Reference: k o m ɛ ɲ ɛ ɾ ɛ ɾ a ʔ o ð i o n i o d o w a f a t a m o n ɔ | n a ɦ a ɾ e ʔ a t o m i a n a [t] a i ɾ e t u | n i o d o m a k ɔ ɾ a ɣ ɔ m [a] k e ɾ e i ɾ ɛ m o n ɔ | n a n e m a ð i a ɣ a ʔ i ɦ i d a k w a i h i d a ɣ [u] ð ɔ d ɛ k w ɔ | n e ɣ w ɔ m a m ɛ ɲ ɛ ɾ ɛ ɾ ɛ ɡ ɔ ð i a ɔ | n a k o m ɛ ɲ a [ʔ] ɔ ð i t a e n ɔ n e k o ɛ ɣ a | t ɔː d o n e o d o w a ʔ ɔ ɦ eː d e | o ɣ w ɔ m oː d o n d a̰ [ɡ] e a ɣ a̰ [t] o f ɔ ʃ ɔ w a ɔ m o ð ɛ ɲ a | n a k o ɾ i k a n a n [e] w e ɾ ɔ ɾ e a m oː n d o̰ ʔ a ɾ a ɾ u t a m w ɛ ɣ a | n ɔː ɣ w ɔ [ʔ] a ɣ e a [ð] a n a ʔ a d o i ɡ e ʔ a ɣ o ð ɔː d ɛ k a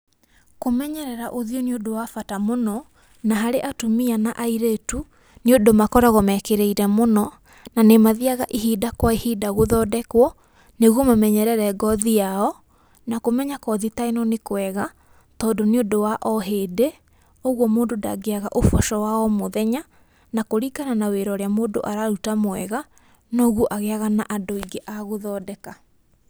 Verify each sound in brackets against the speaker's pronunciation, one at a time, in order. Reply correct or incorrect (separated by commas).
incorrect, incorrect, incorrect, incorrect, correct, incorrect, incorrect, correct, incorrect